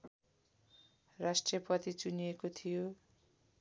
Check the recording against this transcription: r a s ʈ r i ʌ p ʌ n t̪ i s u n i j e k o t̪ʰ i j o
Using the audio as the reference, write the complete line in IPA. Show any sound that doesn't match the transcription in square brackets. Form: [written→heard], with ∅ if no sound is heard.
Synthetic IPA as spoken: r a s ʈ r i ʌ p ʌ [n→∅] t̪ i [s→t͡s] u n i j e k o t̪ʰ i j o